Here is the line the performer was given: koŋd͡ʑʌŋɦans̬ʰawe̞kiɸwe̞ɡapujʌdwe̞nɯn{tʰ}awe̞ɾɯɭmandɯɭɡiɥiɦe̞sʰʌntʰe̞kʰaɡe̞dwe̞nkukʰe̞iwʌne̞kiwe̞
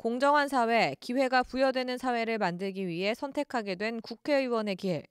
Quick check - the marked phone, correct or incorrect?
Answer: incorrect: sʰ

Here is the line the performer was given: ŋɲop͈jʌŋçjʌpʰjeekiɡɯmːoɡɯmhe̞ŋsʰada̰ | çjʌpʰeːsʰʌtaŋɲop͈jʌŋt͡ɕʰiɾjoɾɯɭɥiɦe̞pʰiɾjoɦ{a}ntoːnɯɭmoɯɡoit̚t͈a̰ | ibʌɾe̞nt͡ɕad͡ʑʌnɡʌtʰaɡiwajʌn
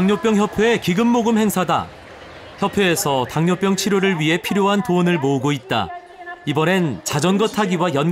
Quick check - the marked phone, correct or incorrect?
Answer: correct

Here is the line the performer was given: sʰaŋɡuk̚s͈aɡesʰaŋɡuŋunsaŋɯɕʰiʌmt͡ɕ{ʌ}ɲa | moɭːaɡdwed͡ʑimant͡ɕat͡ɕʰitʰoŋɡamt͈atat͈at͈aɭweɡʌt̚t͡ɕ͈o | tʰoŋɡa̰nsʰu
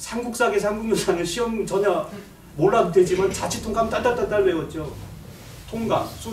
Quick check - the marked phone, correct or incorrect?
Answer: correct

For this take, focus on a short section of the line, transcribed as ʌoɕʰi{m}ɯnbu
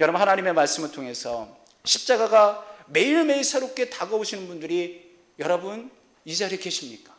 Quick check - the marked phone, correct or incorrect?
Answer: incorrect: n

